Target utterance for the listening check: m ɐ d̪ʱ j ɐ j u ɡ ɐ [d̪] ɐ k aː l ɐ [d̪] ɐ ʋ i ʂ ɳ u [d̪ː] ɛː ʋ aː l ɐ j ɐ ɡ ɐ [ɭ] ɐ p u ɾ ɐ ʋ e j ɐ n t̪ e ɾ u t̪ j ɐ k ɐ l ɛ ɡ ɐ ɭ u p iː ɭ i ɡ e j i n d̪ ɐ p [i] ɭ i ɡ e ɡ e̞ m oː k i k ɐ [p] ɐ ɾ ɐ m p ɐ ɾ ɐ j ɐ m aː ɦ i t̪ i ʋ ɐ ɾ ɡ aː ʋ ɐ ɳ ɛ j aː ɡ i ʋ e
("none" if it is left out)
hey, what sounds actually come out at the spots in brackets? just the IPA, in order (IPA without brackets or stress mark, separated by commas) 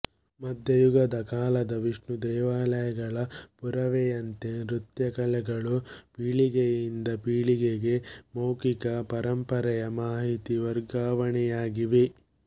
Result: d̪, d̪, d̪, ɭ, iː, p